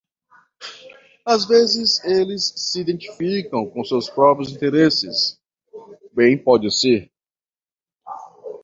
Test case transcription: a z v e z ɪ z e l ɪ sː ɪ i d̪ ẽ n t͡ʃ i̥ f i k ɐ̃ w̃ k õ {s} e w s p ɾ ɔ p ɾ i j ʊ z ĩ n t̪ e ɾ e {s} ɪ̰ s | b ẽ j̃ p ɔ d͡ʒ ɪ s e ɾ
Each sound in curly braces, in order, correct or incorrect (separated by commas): correct, correct